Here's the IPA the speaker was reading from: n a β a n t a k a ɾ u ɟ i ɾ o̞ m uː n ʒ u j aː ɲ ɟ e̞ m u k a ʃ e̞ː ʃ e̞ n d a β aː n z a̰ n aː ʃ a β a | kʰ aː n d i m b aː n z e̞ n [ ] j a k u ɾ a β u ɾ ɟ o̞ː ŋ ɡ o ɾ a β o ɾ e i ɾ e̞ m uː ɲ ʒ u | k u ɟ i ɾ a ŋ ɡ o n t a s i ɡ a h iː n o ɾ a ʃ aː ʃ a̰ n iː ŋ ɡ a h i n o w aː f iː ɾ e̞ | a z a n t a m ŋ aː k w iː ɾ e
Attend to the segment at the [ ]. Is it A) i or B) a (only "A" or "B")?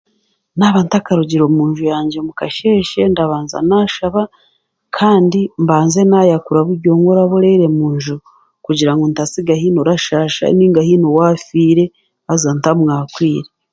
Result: B